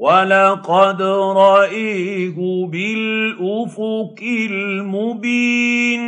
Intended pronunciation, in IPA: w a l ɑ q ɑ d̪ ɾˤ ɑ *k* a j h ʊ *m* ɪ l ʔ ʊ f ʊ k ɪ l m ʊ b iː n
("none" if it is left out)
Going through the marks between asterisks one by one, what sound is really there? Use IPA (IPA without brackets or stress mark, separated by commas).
ʔ, b